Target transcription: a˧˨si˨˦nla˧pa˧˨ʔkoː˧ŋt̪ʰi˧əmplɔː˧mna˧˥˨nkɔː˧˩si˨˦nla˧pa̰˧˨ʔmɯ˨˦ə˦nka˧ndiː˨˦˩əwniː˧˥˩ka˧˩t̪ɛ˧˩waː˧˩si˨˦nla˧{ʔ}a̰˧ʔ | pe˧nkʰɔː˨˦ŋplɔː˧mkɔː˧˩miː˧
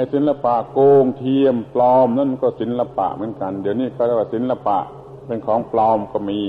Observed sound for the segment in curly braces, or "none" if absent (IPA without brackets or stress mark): p